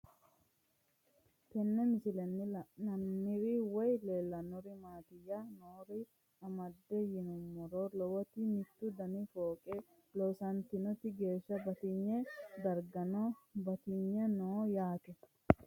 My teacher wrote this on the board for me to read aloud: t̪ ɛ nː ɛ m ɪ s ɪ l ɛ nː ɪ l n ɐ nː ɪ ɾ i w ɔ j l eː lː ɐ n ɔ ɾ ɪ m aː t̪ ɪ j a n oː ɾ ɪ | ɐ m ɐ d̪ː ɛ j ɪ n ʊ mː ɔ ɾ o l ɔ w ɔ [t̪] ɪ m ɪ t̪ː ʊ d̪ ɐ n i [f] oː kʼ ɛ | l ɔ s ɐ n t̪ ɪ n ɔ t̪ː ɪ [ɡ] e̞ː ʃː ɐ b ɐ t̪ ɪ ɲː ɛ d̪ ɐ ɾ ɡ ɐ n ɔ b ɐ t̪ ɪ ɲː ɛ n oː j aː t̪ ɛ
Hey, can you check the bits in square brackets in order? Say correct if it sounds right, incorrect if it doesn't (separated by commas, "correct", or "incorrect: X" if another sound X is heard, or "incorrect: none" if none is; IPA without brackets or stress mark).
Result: correct, correct, correct